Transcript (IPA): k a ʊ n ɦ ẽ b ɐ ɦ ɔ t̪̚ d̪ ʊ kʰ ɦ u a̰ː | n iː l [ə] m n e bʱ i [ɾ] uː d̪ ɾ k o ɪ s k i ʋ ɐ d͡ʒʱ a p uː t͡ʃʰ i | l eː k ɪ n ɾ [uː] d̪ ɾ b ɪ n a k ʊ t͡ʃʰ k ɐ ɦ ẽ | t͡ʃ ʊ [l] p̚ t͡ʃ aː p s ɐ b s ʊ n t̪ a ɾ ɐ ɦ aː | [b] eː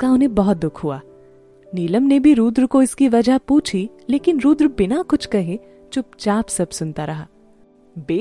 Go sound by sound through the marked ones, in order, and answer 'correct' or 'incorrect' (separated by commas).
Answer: correct, correct, correct, incorrect, correct